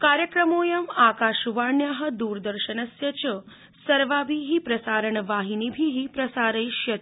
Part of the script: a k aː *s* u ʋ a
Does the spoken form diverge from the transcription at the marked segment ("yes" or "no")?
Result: yes